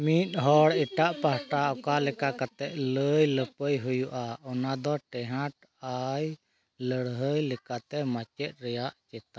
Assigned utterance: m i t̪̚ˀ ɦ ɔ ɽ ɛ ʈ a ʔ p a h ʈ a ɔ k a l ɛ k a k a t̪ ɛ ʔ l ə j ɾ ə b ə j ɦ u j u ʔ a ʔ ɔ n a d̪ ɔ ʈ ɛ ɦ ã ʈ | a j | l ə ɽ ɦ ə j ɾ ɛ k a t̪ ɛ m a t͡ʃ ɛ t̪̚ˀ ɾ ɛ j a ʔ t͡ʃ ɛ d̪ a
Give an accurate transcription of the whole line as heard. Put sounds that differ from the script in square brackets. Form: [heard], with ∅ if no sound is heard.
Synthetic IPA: m i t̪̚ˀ ɦ ɔ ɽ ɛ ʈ a ʔ p a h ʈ a ɔ k a l ɛ k a k a t̪ ɛ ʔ l ə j [l] ə [p] ə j ɦ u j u ʔ a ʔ ɔ n a d̪ ɔ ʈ ɛ ɦ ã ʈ | a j | l ə ɽ ɦ ə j [l] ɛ k a t̪ ɛ m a t͡ʃ ɛ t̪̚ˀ ɾ ɛ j a ʔ t͡ʃ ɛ [t̪] a